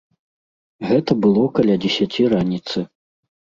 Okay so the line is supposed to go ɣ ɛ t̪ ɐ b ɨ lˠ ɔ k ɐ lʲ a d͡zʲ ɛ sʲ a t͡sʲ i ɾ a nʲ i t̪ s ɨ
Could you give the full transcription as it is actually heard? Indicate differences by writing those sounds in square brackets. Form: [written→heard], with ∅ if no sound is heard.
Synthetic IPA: ɣ ɛ t̪ ɐ b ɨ lˠ ɔ k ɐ lʲ a d͡zʲ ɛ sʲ a t͡sʲ i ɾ a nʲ i t̪ s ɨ